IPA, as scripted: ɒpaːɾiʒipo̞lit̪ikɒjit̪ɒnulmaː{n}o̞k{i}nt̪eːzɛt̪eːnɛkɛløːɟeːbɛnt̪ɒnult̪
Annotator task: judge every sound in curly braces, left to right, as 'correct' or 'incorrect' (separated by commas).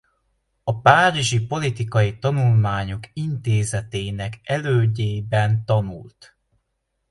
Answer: incorrect, correct